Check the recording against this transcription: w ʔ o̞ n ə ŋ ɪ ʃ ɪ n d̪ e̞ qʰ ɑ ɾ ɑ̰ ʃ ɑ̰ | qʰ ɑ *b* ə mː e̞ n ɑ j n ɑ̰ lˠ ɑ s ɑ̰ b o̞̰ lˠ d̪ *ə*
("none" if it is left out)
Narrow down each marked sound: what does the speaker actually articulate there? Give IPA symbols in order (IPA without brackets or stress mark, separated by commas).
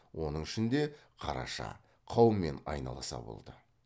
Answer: w, ə